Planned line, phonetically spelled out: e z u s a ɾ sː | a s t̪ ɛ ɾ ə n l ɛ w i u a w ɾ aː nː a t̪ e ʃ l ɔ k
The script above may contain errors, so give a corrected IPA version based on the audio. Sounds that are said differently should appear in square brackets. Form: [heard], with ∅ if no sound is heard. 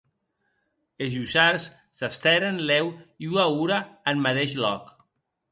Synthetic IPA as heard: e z u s a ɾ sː | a s t̪ ɛ ɾ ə n l ɛ w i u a [u] ɾ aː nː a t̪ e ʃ l ɔ k